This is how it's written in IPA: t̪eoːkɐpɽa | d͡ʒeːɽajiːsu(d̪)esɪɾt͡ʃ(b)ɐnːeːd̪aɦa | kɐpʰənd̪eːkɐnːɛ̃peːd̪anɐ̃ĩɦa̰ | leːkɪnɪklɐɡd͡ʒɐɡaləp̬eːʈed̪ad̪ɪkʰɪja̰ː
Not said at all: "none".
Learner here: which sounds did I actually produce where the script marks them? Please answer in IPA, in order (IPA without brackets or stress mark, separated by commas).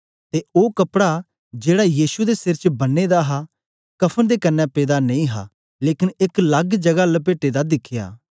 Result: d̪, b